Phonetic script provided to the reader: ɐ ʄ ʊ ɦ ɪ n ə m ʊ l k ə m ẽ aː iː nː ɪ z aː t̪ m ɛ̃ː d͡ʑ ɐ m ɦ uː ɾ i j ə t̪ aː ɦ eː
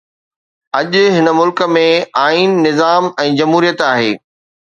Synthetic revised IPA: ɐ ʄ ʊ ɦ ɪ n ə m ʊ l k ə m ẽ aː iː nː ɪ z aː m ɛ̃ː d͡ʑ ɐ m ɦ uː ɾ i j ə t̪ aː ɦ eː